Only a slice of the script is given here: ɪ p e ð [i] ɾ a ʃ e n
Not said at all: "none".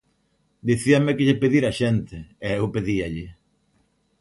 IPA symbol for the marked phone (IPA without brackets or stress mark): i